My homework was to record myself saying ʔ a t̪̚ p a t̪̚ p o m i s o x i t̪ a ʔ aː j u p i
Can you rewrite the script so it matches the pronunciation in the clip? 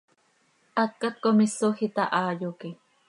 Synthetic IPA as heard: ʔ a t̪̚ k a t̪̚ k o m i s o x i t̪ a ʔ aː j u k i

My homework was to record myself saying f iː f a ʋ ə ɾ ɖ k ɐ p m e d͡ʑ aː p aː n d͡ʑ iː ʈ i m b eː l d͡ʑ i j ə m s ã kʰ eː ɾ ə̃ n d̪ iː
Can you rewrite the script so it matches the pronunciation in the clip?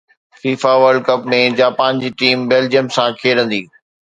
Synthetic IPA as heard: f iː f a ʋ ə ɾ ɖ k ɐ p m ẽ d͡ʑ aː p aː n d͡ʑ iː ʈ iː m b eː l d͡ʑ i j ə m s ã kʰ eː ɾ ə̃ n d̪ iː

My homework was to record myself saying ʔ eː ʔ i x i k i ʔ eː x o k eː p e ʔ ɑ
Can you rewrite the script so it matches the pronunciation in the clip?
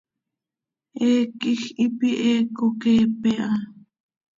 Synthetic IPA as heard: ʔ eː k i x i p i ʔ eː k o k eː p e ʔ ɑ

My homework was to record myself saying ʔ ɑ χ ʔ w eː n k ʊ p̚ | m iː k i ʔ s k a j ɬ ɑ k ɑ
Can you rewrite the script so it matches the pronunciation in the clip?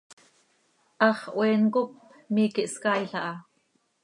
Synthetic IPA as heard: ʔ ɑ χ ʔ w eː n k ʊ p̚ | m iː k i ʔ s k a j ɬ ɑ ʔ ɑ

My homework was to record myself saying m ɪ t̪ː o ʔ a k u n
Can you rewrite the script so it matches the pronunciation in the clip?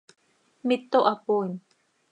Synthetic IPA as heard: m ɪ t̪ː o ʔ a p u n

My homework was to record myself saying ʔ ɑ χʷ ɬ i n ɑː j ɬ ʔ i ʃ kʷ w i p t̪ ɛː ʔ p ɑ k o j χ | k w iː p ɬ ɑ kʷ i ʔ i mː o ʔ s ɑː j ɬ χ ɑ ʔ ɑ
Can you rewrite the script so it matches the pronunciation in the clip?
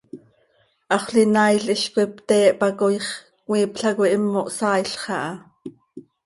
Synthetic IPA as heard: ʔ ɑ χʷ ɬ i n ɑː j ɬ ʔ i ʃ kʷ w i p t̪ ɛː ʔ p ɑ k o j χ | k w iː p ɬ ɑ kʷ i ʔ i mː o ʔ s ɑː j ɬ χ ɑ ʔ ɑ

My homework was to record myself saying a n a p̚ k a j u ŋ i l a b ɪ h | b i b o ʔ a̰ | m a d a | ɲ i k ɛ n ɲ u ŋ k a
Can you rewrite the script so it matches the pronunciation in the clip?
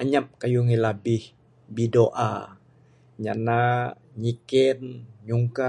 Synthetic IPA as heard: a ɲ a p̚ k a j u ŋ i l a b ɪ h | b i d o ʔ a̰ | ɲ a n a | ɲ i k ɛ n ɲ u ŋ k a

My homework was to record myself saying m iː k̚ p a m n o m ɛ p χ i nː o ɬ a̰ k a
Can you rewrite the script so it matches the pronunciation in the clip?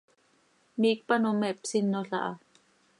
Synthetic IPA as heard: m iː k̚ p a n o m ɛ p s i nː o ɬ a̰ ʔ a

